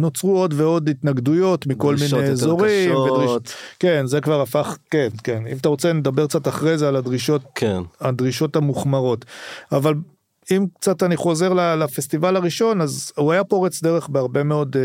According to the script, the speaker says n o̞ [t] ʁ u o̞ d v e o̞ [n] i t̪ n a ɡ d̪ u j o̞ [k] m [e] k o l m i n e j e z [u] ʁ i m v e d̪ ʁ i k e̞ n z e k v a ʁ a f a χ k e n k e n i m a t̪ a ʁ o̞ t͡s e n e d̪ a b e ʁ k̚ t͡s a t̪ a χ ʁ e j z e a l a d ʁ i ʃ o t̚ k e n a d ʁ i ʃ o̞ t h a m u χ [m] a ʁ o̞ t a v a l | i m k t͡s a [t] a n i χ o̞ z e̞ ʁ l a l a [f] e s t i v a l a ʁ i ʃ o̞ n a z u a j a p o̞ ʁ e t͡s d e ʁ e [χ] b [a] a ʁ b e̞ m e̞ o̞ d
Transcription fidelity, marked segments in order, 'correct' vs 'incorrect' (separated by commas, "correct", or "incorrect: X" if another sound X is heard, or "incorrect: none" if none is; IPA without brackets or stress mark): incorrect: t͡s, incorrect: d, incorrect: t, incorrect: i, incorrect: o, correct, correct, correct, correct, incorrect: e